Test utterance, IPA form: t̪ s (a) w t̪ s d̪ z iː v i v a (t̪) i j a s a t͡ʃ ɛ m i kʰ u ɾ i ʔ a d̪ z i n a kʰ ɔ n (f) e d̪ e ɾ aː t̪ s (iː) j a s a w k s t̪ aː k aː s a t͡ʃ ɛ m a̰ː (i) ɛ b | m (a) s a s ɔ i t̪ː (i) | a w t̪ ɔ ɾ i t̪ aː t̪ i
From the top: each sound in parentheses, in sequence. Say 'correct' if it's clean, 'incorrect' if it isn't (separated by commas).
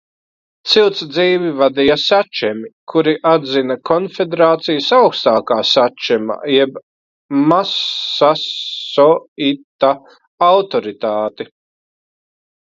incorrect, incorrect, correct, incorrect, incorrect, correct, incorrect